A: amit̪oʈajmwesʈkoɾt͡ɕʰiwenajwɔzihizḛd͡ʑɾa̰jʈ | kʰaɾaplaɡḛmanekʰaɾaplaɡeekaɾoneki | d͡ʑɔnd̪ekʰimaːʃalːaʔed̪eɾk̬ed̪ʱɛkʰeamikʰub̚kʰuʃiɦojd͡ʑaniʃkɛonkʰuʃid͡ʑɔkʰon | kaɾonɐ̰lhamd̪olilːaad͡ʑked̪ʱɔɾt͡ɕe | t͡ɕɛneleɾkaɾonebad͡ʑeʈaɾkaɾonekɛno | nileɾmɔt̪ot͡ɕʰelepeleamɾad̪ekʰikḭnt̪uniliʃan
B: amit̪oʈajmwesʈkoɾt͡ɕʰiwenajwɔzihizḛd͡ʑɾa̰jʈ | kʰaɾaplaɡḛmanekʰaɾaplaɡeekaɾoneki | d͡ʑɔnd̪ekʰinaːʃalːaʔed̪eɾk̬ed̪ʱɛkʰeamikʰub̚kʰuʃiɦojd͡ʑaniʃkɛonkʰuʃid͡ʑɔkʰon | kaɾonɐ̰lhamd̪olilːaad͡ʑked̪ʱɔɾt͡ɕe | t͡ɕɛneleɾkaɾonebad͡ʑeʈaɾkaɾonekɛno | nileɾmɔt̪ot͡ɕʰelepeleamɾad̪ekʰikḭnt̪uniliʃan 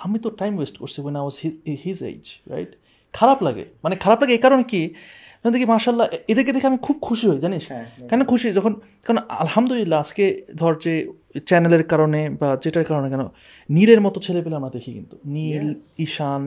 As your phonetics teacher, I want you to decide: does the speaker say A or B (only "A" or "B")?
A